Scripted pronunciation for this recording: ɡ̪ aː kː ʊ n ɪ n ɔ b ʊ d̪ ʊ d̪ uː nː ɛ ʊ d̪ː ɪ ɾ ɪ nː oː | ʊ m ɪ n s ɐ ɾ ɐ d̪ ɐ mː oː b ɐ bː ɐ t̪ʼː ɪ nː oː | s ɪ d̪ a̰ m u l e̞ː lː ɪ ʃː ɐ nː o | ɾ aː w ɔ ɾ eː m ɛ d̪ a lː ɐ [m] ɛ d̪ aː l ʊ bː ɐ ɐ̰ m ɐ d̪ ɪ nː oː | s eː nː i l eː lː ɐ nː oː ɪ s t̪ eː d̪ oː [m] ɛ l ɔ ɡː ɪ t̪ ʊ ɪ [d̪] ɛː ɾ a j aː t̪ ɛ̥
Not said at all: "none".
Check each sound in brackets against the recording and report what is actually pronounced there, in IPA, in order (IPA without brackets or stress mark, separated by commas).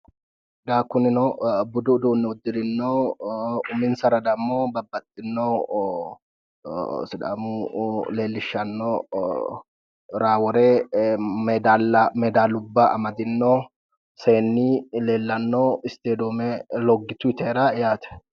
m, m, t̪